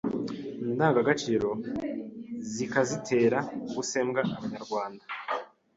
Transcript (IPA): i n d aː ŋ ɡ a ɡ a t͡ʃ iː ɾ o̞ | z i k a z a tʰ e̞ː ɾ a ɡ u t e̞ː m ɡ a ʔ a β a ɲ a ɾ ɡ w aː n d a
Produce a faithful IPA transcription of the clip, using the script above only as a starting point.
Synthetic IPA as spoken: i n d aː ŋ ɡ a ɡ a t͡ʃ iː ɾ o̞ | z i k a z i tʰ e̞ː ɾ a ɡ u s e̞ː m ɡ a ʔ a β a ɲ a ɾ ɡ w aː n d a